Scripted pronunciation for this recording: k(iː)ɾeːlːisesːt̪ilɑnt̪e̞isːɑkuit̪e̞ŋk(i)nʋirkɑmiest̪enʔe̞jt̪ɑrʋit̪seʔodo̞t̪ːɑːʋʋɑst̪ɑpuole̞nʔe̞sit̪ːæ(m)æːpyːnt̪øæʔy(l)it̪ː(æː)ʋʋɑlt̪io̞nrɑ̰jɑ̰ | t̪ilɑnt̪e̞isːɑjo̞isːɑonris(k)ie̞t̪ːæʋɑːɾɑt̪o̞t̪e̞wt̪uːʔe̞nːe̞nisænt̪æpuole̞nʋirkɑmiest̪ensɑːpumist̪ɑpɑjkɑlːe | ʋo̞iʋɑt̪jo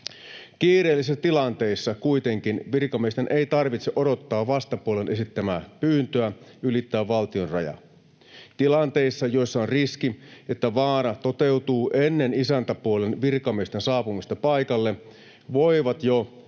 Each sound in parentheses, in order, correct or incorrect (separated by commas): correct, correct, correct, correct, correct, correct